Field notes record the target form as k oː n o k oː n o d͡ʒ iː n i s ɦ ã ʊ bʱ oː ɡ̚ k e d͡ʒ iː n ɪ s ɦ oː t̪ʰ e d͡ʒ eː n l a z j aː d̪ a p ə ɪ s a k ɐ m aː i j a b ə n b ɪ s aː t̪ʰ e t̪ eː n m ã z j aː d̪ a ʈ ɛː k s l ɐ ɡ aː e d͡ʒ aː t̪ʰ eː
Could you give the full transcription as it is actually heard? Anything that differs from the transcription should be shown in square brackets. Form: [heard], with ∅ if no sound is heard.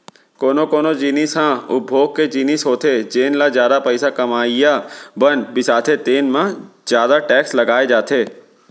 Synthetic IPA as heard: k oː n o k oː n o d͡ʒ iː n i s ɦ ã ʊ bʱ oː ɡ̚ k e d͡ʒ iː n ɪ s ɦ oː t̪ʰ e d͡ʒ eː n l a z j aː d̪ a p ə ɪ s a k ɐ m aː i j a b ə n b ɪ s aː t̪ʰ e t̪ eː n m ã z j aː d̪ a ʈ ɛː k s l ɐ ɡ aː e d͡ʒ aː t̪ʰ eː